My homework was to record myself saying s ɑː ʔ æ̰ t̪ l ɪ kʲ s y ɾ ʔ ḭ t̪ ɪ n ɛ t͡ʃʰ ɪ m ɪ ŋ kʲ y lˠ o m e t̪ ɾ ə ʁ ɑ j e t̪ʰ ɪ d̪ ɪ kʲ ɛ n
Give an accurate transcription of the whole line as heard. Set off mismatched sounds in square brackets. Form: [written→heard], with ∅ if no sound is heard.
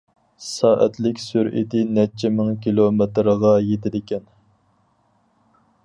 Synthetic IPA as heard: s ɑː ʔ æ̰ t̪ l ɪ kʲ s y ɾ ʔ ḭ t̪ ɪ n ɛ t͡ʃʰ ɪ m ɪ ŋ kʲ [y→i] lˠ o m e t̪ ɾ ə ʁ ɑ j e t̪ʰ ɪ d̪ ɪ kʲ ɛ n